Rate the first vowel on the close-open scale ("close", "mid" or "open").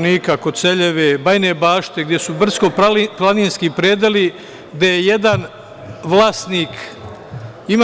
close